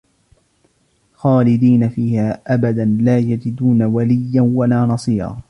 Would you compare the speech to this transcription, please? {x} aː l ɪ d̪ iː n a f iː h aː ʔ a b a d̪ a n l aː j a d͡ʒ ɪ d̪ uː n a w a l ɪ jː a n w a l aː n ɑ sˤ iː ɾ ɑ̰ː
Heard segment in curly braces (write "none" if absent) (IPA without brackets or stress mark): x